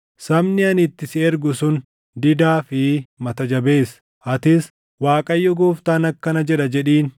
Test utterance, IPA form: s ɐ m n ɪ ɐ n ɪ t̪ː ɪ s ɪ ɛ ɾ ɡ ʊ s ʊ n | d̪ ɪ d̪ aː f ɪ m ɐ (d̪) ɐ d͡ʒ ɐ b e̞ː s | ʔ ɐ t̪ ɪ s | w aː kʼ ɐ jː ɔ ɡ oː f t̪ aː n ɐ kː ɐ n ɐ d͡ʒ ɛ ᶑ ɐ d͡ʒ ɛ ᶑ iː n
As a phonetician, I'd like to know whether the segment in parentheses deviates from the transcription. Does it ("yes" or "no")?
yes